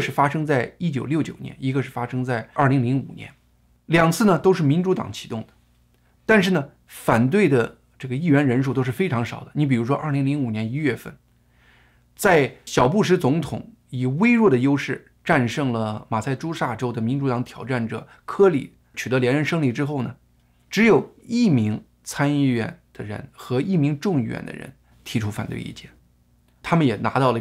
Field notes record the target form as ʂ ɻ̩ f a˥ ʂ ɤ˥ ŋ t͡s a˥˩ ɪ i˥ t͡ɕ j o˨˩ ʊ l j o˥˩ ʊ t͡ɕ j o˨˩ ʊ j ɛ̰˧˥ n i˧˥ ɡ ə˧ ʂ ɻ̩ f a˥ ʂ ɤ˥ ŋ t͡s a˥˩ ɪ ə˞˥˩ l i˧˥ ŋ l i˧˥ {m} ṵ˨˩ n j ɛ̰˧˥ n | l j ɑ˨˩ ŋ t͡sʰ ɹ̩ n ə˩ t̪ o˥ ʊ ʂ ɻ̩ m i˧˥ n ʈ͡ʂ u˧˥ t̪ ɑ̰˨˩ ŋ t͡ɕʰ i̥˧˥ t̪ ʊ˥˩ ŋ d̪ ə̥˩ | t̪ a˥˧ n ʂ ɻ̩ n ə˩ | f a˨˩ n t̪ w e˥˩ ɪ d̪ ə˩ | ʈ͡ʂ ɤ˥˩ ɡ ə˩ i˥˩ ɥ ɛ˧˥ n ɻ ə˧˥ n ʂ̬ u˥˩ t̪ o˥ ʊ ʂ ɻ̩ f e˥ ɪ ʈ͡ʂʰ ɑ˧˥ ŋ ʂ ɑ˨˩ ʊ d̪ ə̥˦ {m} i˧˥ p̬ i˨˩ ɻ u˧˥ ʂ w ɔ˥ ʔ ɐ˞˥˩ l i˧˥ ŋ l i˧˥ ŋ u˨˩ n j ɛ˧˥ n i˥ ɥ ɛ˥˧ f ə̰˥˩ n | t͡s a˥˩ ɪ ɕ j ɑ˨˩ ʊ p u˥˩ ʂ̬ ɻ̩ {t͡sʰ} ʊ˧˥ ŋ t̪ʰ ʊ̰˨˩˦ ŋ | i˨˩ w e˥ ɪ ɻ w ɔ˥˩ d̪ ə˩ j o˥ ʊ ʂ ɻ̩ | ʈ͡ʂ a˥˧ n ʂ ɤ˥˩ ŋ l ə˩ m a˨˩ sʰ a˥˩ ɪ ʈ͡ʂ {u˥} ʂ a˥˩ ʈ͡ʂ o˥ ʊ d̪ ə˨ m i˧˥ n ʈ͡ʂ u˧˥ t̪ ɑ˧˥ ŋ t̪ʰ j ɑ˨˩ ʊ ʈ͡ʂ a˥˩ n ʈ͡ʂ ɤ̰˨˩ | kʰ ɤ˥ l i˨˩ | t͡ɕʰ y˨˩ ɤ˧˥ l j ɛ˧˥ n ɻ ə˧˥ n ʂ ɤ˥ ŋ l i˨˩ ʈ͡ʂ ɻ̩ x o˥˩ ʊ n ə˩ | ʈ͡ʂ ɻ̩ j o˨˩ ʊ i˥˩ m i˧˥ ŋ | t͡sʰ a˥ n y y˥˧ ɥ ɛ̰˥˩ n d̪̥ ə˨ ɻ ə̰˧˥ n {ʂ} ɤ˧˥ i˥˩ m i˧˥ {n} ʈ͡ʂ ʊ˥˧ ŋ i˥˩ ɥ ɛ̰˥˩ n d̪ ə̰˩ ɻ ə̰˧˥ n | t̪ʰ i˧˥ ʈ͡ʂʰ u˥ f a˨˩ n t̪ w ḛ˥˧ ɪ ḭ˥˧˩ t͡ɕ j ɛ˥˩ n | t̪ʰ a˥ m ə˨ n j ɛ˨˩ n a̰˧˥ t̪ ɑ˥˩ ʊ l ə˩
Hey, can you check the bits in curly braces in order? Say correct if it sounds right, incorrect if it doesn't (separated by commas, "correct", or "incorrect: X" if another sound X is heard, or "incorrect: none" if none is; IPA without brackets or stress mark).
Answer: incorrect: ŋ, incorrect: n, incorrect: t͡s, correct, incorrect: x, incorrect: ŋ